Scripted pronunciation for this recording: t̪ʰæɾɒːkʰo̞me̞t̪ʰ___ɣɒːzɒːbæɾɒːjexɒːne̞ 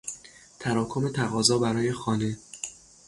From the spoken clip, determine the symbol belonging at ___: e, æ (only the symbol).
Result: æ